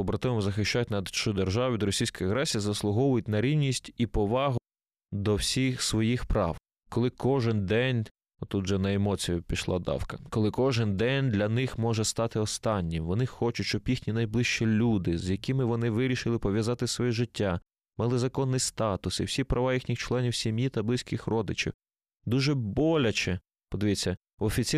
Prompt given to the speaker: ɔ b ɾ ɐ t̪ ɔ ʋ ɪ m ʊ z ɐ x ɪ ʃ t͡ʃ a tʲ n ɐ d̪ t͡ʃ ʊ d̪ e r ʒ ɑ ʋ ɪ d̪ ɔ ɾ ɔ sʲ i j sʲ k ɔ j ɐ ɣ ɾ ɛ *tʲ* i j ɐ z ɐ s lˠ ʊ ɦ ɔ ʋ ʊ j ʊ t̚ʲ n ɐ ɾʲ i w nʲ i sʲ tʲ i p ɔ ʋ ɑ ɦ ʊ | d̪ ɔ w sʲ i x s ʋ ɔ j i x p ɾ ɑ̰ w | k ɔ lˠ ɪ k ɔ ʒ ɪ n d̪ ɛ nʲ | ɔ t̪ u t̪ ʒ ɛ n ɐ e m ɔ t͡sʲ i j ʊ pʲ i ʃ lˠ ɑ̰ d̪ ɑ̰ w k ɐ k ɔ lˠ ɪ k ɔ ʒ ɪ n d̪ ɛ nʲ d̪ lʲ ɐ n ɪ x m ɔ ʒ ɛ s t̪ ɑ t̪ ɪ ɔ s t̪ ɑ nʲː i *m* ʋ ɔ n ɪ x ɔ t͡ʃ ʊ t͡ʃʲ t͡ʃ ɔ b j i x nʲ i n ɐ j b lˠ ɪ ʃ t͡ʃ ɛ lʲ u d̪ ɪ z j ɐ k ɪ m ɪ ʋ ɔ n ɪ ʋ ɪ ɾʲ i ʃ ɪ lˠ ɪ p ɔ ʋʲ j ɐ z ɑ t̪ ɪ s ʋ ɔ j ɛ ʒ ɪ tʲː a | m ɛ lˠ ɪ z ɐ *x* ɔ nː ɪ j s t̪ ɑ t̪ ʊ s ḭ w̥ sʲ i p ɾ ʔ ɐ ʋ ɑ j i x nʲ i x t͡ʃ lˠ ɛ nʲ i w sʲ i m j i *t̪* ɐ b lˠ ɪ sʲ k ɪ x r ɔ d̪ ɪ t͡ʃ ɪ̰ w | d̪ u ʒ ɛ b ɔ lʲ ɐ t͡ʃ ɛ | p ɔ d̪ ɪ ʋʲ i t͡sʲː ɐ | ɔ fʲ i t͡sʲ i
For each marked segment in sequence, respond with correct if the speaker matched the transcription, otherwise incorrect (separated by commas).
incorrect, correct, incorrect, correct